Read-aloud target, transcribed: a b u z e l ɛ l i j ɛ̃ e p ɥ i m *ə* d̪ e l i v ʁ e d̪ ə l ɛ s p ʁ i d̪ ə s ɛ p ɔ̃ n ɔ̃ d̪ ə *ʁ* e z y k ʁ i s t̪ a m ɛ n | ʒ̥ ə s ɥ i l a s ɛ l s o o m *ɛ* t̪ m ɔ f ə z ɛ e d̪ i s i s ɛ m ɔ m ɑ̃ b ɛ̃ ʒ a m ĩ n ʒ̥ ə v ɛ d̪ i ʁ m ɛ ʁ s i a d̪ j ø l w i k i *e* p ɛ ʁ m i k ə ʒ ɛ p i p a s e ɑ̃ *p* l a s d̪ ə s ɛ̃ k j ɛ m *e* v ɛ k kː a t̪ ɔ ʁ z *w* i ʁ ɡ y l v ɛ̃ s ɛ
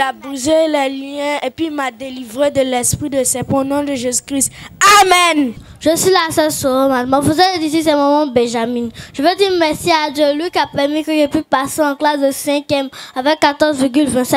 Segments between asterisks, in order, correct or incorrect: incorrect: a, incorrect: ʒ, incorrect: a, incorrect: a, incorrect: k, incorrect: a, incorrect: v

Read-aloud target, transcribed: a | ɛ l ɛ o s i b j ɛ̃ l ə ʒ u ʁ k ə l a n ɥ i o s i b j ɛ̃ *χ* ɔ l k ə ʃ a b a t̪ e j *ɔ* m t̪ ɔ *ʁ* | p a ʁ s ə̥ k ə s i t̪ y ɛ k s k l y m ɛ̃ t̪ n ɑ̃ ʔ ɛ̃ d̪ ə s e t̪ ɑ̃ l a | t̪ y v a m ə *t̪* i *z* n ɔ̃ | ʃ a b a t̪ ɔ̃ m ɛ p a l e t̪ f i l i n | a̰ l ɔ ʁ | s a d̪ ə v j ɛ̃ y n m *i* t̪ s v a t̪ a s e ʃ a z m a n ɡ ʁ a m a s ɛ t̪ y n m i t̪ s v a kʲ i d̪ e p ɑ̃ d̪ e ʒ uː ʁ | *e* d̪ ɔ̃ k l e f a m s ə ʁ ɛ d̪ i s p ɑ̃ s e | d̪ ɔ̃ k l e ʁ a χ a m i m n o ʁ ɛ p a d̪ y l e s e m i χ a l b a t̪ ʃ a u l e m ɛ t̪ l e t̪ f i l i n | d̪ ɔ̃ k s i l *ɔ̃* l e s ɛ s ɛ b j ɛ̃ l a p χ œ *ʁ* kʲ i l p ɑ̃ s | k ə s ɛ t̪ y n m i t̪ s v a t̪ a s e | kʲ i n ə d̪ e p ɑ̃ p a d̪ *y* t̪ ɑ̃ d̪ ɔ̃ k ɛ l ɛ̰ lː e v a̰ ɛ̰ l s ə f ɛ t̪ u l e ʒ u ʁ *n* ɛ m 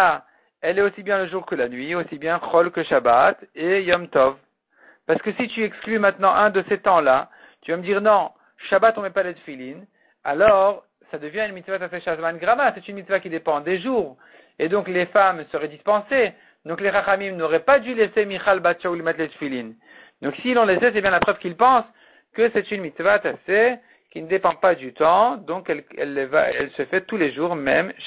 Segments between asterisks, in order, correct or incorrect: correct, correct, incorrect: v, incorrect: d̪, incorrect: ʁ, correct, correct, correct, incorrect: v, correct, incorrect: m

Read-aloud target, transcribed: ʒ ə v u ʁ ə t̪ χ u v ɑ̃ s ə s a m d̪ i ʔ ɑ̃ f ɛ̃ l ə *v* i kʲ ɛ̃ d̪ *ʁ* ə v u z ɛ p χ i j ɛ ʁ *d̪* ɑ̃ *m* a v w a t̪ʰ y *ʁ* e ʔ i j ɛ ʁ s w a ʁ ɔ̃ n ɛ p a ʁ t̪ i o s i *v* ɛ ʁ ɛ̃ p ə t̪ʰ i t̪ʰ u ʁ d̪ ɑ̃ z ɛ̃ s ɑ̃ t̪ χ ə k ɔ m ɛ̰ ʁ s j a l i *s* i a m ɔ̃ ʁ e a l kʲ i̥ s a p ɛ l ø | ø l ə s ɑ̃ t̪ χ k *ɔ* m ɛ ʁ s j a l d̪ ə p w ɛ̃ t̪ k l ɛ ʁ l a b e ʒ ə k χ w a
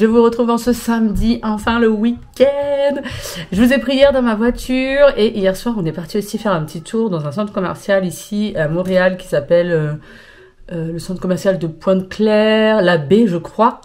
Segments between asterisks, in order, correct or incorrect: incorrect: w, incorrect: ʒ, correct, correct, correct, incorrect: f, correct, correct

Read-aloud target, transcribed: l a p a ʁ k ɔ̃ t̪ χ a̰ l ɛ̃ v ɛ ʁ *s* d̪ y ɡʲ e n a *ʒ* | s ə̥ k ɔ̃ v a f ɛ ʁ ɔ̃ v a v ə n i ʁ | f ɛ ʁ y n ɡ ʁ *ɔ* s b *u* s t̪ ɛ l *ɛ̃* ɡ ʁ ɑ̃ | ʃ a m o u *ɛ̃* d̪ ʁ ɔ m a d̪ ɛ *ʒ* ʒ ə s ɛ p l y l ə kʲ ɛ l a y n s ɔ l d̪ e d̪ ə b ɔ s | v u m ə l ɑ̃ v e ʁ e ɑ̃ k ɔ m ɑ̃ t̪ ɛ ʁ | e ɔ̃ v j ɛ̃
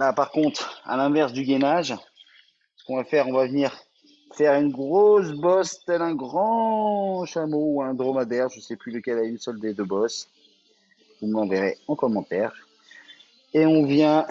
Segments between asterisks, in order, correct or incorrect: correct, correct, incorrect: o, incorrect: ɔ, correct, correct, incorrect: ʁ

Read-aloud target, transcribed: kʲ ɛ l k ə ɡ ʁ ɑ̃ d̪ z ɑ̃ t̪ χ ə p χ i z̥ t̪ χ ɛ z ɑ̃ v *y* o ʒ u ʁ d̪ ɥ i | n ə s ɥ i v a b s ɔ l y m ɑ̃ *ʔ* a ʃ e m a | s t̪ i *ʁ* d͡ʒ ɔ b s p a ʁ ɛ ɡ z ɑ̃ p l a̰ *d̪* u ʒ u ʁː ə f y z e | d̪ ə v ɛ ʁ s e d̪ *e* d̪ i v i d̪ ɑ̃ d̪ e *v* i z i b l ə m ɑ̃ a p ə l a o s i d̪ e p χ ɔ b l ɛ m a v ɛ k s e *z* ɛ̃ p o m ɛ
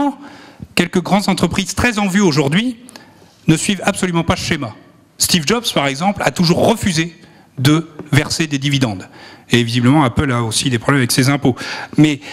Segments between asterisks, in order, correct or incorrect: correct, incorrect: p, incorrect: v, incorrect: t̪, correct, correct, correct

